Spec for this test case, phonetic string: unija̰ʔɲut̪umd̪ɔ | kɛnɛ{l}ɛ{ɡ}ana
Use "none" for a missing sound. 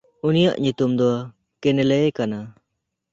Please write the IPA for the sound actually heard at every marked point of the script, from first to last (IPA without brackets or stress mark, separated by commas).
l, k